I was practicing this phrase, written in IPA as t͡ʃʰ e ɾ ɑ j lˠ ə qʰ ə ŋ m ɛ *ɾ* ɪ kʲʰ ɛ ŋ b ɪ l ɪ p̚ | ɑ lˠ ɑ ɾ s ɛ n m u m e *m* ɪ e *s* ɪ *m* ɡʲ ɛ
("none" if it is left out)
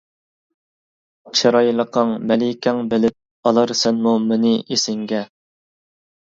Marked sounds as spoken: l, n, s, ŋ

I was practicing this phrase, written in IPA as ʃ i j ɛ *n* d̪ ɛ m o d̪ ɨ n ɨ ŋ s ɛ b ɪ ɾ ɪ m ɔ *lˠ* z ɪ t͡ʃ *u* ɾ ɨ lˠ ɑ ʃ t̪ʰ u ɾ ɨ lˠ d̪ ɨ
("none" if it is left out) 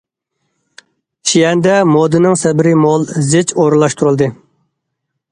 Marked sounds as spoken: n, lˠ, o

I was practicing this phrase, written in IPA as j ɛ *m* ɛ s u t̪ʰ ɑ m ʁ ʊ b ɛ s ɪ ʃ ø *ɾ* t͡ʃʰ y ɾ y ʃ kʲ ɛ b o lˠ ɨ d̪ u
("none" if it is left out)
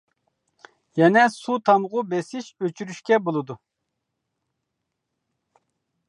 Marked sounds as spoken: n, none

